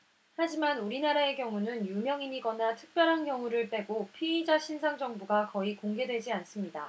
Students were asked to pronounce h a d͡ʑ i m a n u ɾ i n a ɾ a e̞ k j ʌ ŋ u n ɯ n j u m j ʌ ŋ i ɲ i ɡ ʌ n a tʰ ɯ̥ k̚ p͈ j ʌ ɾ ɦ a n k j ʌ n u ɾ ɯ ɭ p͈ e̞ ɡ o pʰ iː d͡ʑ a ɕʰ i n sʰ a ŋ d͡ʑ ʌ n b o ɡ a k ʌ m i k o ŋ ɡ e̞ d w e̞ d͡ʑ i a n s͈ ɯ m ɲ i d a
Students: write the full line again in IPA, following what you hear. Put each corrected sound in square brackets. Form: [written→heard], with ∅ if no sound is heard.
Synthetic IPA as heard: h a d͡ʑ i m a n u ɾ i n a ɾ a e̞ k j ʌ ŋ u n ɯ n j u m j ʌ ŋ i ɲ i ɡ ʌ n a tʰ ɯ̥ k̚ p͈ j ʌ ɾ ɦ a n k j ʌ [n→ŋ] u ɾ ɯ ɭ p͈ e̞ ɡ o pʰ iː d͡ʑ a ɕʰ i n sʰ a ŋ d͡ʑ ʌ [n→ŋ] b [o→u] ɡ a k ʌ [m→∅] i k o ŋ ɡ e̞ d w e̞ d͡ʑ i a n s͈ ɯ m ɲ i d a

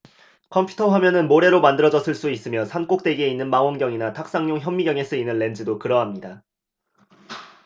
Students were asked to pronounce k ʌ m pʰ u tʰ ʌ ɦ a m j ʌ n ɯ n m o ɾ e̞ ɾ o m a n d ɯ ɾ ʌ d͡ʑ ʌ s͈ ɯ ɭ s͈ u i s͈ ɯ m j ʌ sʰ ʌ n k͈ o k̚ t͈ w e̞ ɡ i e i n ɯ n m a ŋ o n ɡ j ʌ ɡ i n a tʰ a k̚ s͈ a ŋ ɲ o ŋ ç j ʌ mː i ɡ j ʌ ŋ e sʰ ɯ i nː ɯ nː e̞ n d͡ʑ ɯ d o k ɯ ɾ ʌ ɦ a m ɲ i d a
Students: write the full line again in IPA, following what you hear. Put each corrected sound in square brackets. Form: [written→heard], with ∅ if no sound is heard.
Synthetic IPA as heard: [k→kʰ] ʌ m pʰ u tʰ ʌ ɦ a m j ʌ n ɯ n m o ɾ e̞ ɾ o m a n d ɯ ɾ ʌ d͡ʑ ʌ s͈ ɯ ɭ s͈ u i s͈ ɯ m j ʌ sʰ [ʌ→a] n k͈ o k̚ t͈ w e̞ ɡ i e i [n→nː] ɯ n m a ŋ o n ɡ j ʌ [ɡ→ŋ] i n a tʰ a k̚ s͈ a ŋ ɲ o ŋ ç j ʌ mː i ɡ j ʌ ŋ e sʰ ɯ i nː ɯ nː e̞ n d͡ʑ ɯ d o k ɯ ɾ ʌ ɦ a m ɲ i d a

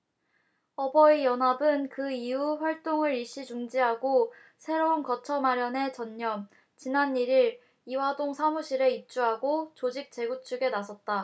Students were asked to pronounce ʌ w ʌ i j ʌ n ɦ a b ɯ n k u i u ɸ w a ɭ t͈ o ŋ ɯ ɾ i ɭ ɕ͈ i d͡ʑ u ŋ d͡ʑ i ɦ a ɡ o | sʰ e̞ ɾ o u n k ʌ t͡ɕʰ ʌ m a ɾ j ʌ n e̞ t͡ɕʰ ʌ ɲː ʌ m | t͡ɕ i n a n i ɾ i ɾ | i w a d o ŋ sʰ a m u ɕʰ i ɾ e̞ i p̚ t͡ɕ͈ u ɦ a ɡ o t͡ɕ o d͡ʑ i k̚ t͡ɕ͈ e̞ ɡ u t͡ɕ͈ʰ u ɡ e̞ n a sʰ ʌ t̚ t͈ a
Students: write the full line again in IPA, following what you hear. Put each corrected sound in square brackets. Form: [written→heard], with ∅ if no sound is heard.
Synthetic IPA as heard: ʌ [w→b] ʌ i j ʌ n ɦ a b ɯ n k [u→ɯ] i u ɸ w a ɭ t͈ o ŋ ɯ ɾ i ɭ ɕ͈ i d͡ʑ u ŋ d͡ʑ i ɦ a ɡ o | sʰ e̞ ɾ o u n k ʌ t͡ɕʰ ʌ m a ɾ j ʌ n e̞ [t͡ɕʰ→t͡ɕ] ʌ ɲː ʌ m | t͡ɕ i n a n i ɾ i ɾ | i w a d o ŋ sʰ a m u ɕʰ i ɾ e̞ i p̚ t͡ɕ͈ u ɦ a ɡ o t͡ɕ o d͡ʑ i k̚ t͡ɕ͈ e̞ ɡ u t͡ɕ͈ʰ u ɡ e̞ n a sʰ ʌ t̚ t͈ a

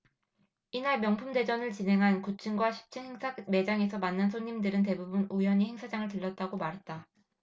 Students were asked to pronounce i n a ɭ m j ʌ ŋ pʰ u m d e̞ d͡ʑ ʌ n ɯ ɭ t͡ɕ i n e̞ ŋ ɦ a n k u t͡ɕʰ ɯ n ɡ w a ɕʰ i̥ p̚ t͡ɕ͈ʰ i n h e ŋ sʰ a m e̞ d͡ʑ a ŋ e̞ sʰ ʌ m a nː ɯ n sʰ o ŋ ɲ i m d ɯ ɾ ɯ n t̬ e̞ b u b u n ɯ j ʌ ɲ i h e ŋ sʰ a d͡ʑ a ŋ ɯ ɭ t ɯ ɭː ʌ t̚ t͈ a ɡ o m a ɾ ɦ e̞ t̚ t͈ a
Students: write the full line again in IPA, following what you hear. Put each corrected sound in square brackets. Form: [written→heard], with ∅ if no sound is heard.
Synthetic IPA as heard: i n a ɭ m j ʌ ŋ pʰ u m d e̞ d͡ʑ ʌ n ɯ ɭ t͡ɕ i n e̞ ŋ ɦ a n k u t͡ɕʰ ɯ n ɡ w a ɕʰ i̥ p̚ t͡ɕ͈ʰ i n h e ŋ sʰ a m e̞ d͡ʑ a ŋ e̞ sʰ ʌ m a nː ɯ n sʰ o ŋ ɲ i m d ɯ ɾ ɯ n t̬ e̞ b u b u n [ɯ→u] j ʌ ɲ i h e ŋ sʰ a d͡ʑ a ŋ ɯ ɭ t ɯ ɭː ʌ t̚ t͈ a ɡ o m a ɾ ɦ e̞ t̚ t͈ a

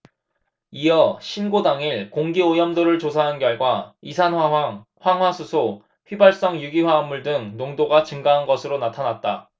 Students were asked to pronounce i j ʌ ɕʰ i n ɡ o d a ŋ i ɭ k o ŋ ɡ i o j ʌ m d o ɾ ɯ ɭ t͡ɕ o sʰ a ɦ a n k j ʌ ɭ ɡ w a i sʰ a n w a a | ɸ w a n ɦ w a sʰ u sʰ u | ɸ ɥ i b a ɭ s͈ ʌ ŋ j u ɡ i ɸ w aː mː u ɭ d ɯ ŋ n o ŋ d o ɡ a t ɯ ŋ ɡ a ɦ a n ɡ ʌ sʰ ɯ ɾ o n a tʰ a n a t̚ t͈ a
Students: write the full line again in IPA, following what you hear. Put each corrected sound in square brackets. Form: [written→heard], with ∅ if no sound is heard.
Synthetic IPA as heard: i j ʌ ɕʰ i n ɡ o d a ŋ i ɭ k o ŋ ɡ i o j ʌ m d o ɾ ɯ ɭ t͡ɕ o sʰ a ɦ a n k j ʌ ɭ ɡ w a i sʰ a n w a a | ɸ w a [n→ŋ] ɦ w a sʰ u sʰ [u→o] | ɸ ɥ i b a ɭ s͈ ʌ ŋ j u ɡ i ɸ w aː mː u ɭ d ɯ ŋ n o ŋ d o ɡ a [t→t͡ɕ] ɯ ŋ ɡ a ɦ a n ɡ ʌ sʰ ɯ ɾ o n a tʰ a n a t̚ t͈ a

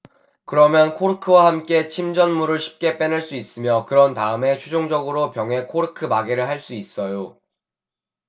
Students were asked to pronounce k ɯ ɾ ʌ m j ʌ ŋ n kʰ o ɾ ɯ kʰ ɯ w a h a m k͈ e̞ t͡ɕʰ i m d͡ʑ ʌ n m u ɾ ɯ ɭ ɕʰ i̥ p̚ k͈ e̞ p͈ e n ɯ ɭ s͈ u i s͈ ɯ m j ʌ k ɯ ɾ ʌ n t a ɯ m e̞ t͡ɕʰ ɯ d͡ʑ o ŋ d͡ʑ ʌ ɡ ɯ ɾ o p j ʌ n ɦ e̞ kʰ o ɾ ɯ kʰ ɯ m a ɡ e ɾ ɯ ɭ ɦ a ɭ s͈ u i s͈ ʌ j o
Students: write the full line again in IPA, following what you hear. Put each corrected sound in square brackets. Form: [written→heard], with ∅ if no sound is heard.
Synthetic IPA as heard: k ɯ ɾ ʌ m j ʌ [ŋ→∅] n kʰ o ɾ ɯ kʰ ɯ w a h a m k͈ e̞ t͡ɕʰ i m d͡ʑ ʌ n m u ɾ ɯ ɭ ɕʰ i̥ p̚ k͈ e̞ p͈ e n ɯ ɭ s͈ u i s͈ ɯ m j ʌ k ɯ ɾ ʌ n t a ɯ m e̞ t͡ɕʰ [ɯ→u] d͡ʑ o ŋ d͡ʑ ʌ ɡ ɯ ɾ o p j ʌ [n→ŋ] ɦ e̞ kʰ o ɾ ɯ kʰ ɯ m a ɡ e ɾ ɯ ɭ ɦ a ɭ s͈ u i s͈ ʌ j o

